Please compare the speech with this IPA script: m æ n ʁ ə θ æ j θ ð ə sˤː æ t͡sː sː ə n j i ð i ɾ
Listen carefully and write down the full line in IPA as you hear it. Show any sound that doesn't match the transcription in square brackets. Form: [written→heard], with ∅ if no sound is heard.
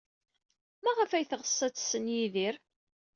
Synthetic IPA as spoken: m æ [n→∅] ʁ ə [θ→f] æ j θ [ð→ʁ] ə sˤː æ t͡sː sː ə n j i ð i ɾ

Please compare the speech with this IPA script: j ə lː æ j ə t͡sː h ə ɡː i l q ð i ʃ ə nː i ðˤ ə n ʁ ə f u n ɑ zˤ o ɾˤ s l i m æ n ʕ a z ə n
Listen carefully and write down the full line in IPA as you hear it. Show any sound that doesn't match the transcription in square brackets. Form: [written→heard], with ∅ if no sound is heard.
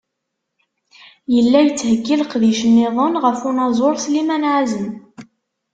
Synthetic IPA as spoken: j ə lː æ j ə t͡sː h ə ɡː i l q ð i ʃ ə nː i ðˤ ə n ʁ ə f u n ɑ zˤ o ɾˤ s l i m æ n ʕ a z ə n

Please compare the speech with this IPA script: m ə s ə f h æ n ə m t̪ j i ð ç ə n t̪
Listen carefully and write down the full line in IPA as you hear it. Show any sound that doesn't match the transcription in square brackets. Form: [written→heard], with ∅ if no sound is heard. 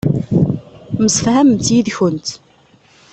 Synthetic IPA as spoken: m ə s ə f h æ [n→m] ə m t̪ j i ð ç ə n t̪

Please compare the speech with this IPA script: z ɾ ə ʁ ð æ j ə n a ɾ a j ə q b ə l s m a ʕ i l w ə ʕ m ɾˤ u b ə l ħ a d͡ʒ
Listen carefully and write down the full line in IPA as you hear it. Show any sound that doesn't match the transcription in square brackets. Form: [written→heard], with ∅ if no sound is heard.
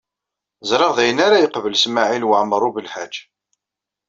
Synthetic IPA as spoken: z ɾ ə ʁ ð æ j ə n a ɾ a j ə q [b→v] ə l s m a ʕ i l w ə ʕ m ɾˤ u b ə l ħ a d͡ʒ

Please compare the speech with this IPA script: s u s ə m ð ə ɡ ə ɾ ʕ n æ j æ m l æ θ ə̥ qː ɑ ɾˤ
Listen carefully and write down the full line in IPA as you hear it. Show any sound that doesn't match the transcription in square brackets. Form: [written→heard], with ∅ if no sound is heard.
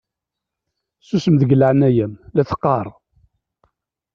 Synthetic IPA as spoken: s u s ə m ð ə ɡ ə [ɾ→l] ʕ n æ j æ m l æ θ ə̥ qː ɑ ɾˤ

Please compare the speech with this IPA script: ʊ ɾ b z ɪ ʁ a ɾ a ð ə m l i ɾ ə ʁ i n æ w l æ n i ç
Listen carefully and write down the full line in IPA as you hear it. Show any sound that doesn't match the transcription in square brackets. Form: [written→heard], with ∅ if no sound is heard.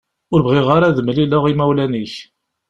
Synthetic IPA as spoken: ʊ ɾ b [z→ʁ] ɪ ʁ a ɾ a ð ə m l i [ɾ→l] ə ʁ i [n→m] æ w l æ n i ç

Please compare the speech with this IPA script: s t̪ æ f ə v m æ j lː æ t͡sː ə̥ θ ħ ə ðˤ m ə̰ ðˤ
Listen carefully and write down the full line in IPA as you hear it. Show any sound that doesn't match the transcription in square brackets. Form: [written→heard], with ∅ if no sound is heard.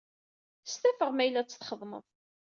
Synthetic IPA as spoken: s t̪ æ f ə [v→ʁ] m æ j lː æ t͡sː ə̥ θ [ħ→χ] ə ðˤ m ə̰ ðˤ

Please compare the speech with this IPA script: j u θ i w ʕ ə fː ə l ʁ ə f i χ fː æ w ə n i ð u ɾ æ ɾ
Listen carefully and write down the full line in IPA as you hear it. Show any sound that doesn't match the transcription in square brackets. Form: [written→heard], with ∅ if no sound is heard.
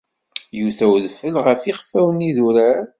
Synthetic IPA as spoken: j u θ [i→æ] w [ʕ→ð] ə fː ə l ʁ ə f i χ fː æ w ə n i ð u ɾ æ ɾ

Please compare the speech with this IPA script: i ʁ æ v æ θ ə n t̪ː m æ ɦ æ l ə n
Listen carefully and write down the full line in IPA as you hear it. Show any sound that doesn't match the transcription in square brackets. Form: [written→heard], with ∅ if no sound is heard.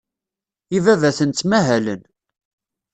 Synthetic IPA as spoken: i [ʁ→v] æ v æ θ ə n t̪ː m æ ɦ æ l ə n

